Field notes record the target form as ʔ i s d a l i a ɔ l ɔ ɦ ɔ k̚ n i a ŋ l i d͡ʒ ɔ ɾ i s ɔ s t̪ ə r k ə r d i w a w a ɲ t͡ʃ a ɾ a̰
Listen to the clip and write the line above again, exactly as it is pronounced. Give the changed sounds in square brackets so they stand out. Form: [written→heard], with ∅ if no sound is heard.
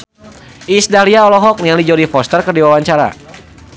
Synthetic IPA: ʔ i s d a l i a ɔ l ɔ ɦ ɔ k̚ n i a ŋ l i d͡ʒ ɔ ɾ i [s→f] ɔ s t̪ ə r k ə r d i w a w a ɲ t͡ʃ a ɾ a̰